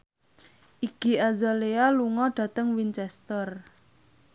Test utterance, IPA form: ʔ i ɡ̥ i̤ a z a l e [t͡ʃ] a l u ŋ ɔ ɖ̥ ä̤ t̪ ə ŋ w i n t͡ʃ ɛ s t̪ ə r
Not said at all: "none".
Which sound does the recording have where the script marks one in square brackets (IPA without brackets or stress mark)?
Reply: none